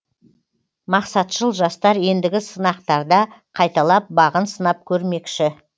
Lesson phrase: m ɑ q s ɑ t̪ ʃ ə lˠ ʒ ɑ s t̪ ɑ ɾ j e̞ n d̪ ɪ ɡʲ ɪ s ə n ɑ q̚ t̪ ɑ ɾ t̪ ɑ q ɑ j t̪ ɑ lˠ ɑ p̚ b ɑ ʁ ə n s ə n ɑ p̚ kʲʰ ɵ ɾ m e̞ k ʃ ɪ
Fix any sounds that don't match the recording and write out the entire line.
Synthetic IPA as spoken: m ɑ q s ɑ t̪ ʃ ə lˠ ʒ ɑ s t̪ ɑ ɾ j e̞ n d̪ ɪ ɡʲ ɪ s ə n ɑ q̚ t̪ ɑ ɾ d̪ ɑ qʰ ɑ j t̪ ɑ lˠ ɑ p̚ b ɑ ʁ ə n s ə n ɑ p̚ kʲʰ ɵ ɾ m e̞ k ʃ ɪ